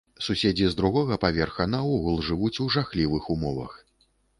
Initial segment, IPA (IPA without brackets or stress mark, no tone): s